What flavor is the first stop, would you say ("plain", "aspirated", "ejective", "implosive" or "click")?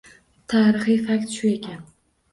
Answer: aspirated